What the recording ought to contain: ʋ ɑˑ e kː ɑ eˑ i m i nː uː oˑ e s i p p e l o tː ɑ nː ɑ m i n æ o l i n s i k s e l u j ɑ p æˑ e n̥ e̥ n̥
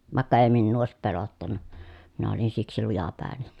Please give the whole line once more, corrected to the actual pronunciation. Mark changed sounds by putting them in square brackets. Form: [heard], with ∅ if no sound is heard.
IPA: ʋ ɑˑ e kː ɑ eˑ i m i nː uː oˑ e s i p p e l o tː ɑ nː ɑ m i n æ o l i n s i k s [i] l u j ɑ p æˑ e n̥ e̥ n̥